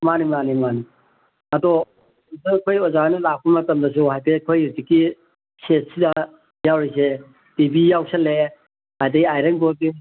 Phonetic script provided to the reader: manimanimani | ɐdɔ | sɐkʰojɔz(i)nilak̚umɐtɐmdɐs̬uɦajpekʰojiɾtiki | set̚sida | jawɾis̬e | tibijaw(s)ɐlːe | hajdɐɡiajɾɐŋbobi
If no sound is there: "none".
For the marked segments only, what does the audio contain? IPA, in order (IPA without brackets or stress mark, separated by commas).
a, s